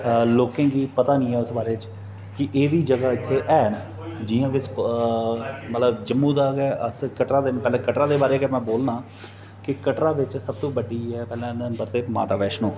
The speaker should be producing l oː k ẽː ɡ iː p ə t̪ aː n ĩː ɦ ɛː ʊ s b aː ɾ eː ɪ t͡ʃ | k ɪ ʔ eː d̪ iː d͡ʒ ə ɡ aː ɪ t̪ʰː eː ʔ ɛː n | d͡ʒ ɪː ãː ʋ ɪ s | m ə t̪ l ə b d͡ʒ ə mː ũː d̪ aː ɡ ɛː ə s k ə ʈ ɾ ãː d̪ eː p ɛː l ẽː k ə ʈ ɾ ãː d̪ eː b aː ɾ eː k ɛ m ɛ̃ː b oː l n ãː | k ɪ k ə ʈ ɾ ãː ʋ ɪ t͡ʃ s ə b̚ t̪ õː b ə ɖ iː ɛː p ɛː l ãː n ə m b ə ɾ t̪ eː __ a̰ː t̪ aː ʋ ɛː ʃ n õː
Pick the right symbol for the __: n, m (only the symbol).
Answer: m